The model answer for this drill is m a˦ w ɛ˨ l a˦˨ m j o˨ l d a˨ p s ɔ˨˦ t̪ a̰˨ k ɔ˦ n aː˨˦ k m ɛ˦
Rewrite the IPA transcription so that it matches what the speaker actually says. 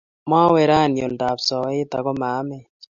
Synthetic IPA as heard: m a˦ w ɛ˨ ɾ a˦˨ n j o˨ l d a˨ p s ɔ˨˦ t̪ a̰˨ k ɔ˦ m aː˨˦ m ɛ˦